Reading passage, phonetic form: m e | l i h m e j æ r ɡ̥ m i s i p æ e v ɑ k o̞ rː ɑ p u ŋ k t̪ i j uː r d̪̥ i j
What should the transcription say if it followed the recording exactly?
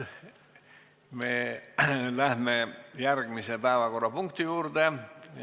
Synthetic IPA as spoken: m e | l æ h m e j æ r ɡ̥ m i s e p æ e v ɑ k o̞ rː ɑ p u ŋ k t̪ i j uː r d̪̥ e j